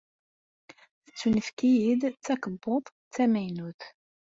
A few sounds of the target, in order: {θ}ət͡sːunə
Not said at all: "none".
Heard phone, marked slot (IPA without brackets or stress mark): θ